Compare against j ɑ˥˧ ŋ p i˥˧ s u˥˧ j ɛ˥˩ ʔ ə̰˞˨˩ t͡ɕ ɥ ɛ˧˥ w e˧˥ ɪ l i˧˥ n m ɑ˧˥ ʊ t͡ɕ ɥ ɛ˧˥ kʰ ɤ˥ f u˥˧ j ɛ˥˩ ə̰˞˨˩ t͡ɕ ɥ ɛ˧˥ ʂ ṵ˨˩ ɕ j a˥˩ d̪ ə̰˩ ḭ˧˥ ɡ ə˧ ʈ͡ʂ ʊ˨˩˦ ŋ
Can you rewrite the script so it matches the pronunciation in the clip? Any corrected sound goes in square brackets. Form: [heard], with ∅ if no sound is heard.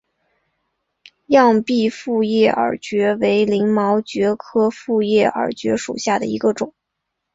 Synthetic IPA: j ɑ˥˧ ŋ p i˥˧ [f] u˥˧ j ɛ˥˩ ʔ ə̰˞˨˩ t͡ɕ ɥ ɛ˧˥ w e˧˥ ɪ l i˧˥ [ŋ] m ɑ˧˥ ʊ t͡ɕ ɥ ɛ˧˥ kʰ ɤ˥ f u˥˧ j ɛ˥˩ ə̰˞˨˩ t͡ɕ ɥ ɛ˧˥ ʂ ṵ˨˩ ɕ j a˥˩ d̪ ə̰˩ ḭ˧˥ ɡ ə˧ ʈ͡ʂ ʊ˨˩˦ ŋ